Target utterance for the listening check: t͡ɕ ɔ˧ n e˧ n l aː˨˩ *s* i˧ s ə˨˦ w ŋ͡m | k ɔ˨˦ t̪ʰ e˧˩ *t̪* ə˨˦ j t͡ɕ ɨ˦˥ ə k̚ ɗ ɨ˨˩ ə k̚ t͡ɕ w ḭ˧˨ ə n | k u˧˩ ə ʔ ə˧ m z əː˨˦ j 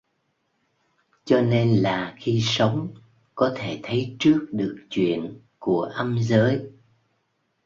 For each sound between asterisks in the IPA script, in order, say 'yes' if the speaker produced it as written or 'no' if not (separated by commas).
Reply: no, no